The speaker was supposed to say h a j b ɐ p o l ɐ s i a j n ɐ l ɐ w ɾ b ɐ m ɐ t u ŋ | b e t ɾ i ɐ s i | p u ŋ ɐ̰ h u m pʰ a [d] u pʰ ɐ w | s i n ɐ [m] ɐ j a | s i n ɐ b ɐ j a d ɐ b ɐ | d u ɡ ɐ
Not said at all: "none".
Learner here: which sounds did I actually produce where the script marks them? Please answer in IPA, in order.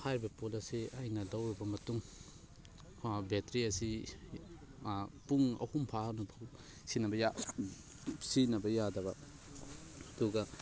n, b

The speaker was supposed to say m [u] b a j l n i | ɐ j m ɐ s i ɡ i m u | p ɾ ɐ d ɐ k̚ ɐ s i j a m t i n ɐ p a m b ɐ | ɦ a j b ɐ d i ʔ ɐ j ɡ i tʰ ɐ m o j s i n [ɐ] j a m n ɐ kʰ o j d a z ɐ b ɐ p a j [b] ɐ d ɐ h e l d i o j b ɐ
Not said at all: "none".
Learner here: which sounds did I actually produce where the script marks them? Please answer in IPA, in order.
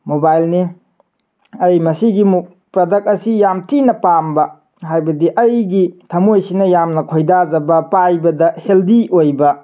o, ɐ, b

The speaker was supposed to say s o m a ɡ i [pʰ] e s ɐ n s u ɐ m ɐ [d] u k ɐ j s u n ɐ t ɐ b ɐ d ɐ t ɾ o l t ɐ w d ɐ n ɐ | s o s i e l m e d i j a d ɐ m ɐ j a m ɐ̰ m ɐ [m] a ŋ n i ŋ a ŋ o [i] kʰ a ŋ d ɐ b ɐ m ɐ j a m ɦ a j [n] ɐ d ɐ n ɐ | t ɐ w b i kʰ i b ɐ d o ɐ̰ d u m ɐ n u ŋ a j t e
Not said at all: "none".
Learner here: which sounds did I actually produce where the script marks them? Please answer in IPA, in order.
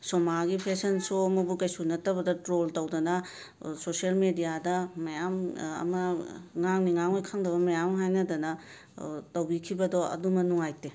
pʰ, b, ŋ, j, n

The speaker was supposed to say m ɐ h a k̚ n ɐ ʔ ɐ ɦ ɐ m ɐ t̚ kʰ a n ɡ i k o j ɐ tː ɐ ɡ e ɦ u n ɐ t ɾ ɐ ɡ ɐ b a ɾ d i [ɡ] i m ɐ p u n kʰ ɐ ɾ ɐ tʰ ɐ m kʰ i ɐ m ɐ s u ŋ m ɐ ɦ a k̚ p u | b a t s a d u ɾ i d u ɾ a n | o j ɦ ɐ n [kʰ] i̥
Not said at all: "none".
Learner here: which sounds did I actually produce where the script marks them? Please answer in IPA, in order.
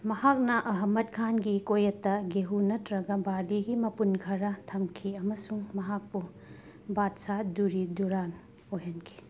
ɡ, kʰ

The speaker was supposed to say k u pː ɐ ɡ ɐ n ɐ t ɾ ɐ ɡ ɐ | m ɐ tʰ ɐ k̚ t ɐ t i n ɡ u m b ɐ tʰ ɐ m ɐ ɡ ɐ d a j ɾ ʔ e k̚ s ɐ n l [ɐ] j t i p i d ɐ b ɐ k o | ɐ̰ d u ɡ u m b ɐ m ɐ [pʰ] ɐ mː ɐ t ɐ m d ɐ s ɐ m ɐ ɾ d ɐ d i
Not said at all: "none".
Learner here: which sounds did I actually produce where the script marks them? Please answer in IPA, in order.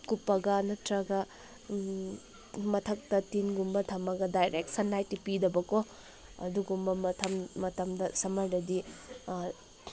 a, tʰ

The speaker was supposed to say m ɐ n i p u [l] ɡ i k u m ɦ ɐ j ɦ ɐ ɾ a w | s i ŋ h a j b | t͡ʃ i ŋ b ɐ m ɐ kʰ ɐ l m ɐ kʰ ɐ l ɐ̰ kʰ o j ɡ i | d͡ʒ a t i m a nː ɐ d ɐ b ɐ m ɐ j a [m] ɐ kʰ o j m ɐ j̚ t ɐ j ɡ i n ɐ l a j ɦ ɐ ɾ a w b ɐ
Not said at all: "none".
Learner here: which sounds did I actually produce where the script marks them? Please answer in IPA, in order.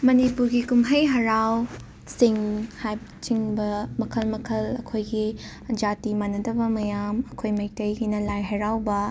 ɾ, m

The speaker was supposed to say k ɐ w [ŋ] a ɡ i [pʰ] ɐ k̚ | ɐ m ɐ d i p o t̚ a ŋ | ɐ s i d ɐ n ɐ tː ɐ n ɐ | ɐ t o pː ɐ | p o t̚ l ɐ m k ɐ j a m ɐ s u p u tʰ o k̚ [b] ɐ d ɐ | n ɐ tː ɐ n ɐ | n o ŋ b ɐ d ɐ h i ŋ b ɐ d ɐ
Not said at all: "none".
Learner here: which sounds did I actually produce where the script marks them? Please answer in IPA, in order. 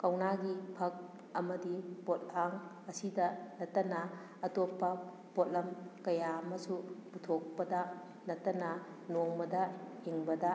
n, pʰ, p

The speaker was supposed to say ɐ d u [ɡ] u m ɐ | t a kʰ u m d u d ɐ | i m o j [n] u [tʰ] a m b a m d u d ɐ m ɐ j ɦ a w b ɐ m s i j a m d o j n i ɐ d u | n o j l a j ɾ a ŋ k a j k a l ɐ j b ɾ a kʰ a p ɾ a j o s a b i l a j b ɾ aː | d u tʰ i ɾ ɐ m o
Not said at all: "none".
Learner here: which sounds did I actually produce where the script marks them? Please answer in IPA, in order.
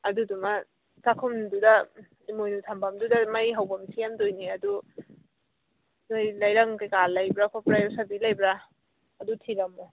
d, n, tʰ

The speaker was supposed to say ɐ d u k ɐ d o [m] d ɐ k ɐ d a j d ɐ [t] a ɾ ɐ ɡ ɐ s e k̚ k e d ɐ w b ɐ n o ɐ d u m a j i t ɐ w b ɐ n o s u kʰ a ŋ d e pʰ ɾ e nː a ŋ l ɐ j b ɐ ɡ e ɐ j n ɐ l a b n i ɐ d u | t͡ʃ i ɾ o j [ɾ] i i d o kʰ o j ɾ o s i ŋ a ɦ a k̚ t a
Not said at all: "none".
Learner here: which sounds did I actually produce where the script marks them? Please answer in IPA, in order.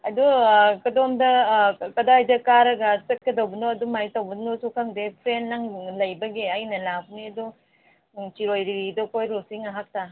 m, k, ɾ

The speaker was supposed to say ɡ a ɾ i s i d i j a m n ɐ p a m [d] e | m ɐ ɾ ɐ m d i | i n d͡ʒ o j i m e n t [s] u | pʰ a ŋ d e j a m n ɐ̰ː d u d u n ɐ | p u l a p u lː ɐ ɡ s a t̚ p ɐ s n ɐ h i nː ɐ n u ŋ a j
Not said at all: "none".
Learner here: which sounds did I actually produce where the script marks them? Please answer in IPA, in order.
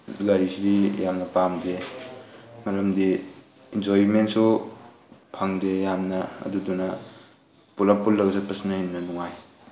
d, s

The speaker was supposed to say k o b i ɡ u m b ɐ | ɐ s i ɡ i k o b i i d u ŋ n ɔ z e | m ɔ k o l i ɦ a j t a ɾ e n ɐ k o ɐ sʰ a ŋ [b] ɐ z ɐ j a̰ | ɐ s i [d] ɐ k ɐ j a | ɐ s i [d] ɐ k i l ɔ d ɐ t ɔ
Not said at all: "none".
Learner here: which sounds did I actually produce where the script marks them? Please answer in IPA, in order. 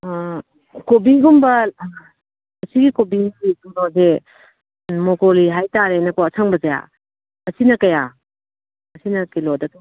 b, n, n

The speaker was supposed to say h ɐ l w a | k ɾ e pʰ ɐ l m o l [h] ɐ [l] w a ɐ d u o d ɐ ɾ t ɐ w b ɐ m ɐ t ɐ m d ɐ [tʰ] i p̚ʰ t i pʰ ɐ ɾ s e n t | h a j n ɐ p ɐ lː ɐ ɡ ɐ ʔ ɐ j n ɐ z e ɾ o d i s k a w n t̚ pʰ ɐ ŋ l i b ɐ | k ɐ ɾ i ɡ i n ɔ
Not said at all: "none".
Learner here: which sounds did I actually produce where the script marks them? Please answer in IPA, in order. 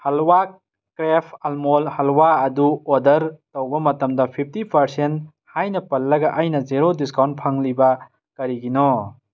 h, l, pʰ

